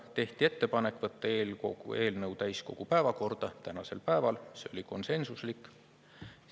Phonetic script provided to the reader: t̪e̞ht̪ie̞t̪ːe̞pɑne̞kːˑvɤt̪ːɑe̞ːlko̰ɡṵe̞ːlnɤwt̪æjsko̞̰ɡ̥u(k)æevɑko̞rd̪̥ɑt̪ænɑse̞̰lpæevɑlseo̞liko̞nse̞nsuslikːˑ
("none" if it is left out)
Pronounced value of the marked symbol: p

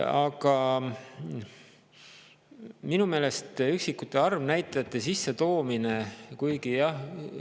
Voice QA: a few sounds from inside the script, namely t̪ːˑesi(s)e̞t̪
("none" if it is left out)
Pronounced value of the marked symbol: sː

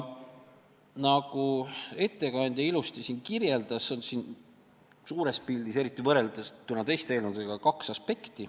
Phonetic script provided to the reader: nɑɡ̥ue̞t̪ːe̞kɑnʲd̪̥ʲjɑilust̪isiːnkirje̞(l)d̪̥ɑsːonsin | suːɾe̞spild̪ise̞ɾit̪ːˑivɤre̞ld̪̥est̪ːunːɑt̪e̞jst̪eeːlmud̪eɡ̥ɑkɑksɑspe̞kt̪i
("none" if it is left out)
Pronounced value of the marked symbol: l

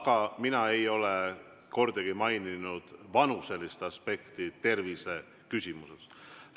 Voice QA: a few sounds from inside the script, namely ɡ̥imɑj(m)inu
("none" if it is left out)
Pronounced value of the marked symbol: n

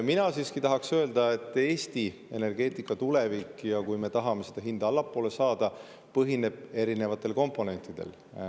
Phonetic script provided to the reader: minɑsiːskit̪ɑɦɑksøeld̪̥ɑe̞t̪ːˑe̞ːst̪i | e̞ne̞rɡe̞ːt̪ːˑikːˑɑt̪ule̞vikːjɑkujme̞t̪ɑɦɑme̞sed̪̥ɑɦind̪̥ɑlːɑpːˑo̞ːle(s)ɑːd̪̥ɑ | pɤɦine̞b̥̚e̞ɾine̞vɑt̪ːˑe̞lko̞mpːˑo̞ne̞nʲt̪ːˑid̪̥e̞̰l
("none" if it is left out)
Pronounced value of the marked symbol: s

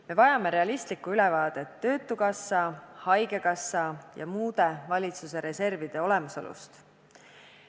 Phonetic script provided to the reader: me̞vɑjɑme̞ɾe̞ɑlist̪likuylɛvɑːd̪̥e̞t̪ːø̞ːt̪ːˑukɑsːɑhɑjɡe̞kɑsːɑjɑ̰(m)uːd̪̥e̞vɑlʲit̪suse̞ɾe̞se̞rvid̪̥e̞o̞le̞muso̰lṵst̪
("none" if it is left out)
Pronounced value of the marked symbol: m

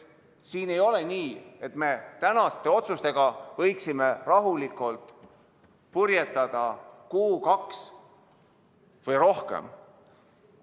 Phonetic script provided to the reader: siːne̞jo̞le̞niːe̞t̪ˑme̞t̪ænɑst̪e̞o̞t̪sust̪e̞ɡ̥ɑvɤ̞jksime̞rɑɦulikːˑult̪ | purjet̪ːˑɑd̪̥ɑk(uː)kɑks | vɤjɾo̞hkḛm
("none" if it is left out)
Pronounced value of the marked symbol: uː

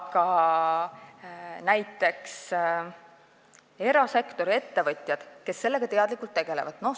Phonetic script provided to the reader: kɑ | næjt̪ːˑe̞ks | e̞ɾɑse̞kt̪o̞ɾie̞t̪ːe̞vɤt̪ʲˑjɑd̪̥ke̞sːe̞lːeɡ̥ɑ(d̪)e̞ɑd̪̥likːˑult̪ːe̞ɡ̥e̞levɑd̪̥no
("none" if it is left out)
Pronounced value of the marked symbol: t̪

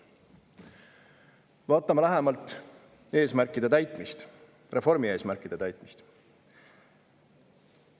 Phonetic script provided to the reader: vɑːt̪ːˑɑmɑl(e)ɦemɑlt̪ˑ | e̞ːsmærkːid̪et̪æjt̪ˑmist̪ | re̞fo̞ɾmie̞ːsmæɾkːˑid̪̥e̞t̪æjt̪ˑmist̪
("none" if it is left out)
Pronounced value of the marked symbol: æ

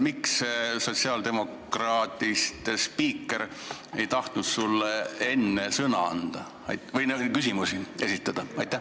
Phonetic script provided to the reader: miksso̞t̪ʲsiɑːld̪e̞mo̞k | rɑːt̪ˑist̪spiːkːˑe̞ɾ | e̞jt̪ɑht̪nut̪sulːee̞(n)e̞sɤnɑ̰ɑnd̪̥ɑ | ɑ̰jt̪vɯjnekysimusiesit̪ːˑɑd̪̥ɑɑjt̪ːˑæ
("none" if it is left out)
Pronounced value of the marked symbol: nː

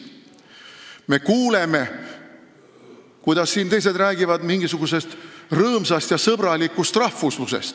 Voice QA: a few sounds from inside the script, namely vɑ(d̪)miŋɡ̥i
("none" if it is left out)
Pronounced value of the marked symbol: d̪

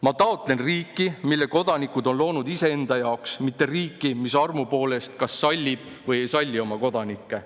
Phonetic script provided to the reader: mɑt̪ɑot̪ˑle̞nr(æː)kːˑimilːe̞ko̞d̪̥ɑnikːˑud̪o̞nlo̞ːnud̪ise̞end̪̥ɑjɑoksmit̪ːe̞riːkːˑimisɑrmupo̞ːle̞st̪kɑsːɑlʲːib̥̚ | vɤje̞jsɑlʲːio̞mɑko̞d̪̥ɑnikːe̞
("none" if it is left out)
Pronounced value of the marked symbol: iː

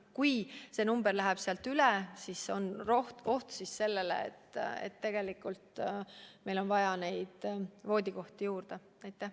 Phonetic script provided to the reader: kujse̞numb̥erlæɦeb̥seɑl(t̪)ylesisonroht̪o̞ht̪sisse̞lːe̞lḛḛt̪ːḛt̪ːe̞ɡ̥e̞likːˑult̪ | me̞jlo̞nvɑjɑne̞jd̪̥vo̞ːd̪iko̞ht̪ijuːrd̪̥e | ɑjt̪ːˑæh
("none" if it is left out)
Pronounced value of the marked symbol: t̪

